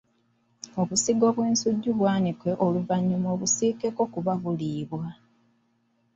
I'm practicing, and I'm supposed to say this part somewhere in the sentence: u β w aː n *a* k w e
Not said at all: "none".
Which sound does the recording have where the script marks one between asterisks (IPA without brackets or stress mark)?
i